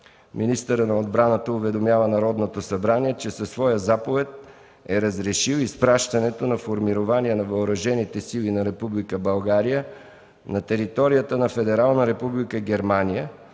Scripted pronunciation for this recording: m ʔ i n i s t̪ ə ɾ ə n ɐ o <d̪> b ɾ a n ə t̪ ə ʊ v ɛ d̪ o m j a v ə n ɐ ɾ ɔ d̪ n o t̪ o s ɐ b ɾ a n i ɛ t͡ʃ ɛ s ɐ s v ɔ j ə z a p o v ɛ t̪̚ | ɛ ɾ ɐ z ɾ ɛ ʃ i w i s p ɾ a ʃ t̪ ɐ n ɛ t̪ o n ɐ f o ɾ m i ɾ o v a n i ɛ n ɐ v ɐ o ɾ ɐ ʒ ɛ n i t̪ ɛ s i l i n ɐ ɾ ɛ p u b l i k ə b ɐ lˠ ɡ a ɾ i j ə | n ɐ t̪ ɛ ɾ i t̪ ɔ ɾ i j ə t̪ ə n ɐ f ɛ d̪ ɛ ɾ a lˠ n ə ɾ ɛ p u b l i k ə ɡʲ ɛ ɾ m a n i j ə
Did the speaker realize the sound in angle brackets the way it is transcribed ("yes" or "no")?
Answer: yes